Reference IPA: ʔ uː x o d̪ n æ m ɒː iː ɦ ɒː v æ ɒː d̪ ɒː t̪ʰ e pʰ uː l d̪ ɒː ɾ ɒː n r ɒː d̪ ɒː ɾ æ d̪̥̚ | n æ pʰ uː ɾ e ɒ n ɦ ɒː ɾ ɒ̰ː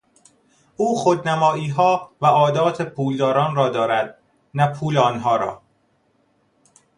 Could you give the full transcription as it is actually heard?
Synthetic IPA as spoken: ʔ uː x o d̪ n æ m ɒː iː ɦ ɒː v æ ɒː d̪ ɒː t̪ʰ e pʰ uː l d̪ ɒː ɾ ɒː n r ɒː d̪ ɒː ɾ æ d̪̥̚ | n æ pʰ uː l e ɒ n ɦ ɒː ɾ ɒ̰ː